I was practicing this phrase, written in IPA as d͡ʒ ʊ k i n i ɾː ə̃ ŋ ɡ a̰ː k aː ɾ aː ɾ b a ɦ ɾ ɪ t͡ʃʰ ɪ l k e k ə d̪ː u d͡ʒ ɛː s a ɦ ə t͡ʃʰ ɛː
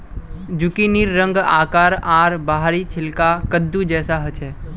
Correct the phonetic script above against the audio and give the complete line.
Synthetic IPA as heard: d͡ʒ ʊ k i n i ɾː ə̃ ŋ ɡ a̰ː k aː ɾ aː ɾ b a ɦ ɾ i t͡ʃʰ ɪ l k a k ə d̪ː u d͡ʒ ɛː s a ɦ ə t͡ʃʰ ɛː